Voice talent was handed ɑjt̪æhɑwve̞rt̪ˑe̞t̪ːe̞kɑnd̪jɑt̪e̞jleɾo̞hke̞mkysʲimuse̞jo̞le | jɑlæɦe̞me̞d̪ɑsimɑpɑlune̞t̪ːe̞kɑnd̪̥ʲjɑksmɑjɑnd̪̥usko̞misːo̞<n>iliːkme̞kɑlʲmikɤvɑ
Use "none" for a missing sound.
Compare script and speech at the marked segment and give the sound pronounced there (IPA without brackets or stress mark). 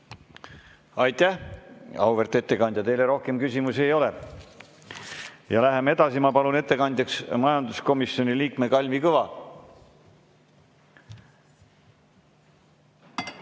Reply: n